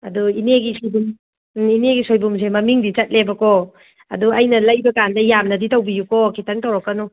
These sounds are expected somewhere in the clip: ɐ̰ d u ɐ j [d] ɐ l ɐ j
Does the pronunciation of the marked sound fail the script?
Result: yes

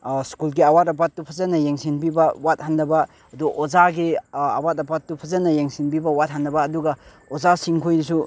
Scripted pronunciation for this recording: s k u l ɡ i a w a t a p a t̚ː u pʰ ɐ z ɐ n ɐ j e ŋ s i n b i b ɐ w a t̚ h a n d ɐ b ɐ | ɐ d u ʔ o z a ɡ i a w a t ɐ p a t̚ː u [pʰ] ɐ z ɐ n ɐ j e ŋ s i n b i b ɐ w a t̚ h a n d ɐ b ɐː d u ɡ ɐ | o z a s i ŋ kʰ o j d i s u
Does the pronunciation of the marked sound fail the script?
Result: no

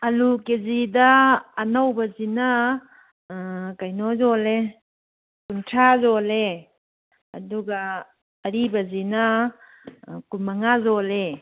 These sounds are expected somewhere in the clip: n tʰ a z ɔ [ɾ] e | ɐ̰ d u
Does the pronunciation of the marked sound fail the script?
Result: yes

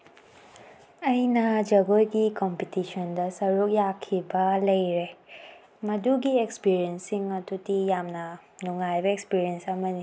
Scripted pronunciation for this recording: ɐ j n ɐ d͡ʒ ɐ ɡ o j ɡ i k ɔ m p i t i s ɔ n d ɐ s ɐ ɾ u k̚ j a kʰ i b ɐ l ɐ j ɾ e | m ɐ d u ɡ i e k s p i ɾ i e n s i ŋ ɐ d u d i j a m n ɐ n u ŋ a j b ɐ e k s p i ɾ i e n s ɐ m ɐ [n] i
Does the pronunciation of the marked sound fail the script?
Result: no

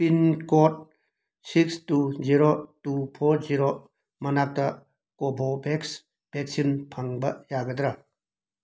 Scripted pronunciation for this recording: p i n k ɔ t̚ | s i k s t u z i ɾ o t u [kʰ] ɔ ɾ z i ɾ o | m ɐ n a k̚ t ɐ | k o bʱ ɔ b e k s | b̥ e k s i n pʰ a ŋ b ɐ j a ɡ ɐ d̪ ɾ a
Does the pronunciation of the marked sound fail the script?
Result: yes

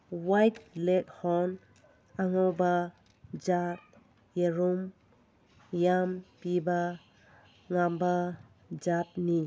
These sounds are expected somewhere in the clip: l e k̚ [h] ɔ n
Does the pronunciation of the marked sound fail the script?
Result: no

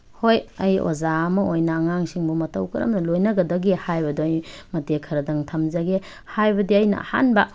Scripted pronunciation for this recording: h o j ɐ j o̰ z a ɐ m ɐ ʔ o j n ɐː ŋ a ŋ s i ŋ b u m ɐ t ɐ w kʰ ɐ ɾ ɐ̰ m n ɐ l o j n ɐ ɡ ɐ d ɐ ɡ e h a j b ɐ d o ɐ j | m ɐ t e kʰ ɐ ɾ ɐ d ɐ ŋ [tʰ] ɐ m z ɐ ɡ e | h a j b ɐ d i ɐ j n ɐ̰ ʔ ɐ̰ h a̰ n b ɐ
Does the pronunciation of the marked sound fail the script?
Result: no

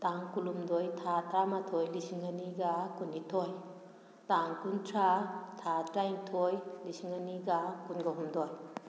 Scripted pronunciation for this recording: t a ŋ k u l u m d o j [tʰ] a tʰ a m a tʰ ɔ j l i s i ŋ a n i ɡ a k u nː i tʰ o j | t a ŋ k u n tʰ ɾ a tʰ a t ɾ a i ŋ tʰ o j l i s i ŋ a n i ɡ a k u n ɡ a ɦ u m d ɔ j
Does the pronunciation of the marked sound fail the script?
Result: no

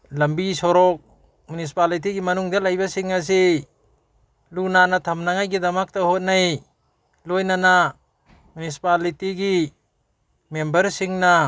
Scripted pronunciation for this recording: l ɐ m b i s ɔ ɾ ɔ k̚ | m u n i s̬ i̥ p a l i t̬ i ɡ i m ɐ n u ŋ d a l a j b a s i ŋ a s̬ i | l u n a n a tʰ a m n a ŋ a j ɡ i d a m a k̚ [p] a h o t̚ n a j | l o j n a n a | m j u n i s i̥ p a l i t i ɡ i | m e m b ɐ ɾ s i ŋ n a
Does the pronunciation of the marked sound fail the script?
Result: yes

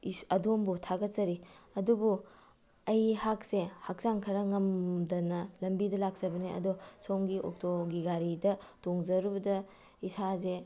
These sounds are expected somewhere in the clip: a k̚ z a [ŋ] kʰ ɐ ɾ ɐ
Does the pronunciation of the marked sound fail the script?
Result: no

